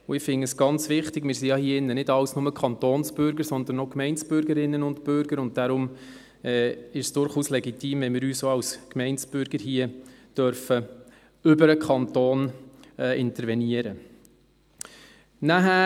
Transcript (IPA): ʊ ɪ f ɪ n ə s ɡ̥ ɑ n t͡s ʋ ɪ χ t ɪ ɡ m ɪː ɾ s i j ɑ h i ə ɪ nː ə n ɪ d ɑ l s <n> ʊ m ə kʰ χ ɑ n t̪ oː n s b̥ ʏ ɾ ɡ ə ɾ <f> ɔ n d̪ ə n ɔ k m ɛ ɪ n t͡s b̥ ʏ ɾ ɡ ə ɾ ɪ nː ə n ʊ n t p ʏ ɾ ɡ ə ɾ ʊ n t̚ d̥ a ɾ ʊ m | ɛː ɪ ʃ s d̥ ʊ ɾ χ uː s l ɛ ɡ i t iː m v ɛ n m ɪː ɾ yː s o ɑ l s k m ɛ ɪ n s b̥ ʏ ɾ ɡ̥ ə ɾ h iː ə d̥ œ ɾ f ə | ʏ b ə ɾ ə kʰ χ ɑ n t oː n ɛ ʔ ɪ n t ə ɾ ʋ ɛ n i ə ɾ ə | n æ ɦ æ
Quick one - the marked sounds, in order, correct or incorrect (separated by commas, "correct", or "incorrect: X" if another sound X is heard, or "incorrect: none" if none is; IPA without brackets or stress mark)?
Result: correct, incorrect: s